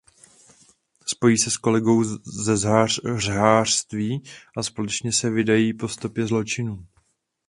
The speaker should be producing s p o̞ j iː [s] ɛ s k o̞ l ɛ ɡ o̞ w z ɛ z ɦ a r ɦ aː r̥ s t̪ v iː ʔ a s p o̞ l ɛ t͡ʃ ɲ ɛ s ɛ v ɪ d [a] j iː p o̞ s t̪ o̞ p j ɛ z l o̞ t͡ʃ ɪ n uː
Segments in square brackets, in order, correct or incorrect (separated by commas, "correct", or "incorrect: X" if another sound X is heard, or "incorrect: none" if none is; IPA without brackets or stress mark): correct, correct